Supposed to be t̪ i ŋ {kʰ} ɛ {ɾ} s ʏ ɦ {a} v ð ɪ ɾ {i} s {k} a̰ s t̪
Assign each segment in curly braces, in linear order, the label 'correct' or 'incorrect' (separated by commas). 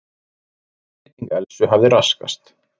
incorrect, incorrect, correct, incorrect, correct